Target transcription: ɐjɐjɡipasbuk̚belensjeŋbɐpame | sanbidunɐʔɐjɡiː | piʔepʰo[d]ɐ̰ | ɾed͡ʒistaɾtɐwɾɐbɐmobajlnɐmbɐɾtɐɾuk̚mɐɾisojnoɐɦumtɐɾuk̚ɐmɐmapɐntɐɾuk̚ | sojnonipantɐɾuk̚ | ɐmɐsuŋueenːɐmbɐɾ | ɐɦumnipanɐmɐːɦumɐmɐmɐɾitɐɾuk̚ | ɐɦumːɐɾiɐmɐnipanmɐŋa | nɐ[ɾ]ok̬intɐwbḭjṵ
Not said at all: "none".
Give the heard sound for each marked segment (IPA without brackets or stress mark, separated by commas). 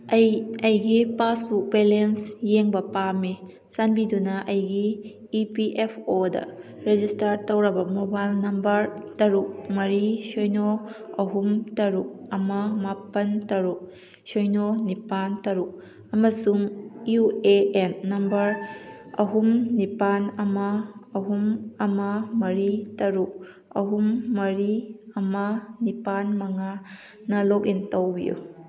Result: d, l